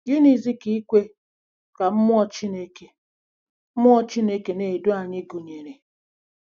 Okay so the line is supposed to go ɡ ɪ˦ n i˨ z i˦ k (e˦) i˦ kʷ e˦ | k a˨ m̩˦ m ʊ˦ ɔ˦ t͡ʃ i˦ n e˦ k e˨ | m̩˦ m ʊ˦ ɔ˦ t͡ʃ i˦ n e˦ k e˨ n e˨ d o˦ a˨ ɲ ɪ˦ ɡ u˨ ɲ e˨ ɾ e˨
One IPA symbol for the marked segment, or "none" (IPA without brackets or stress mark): i˦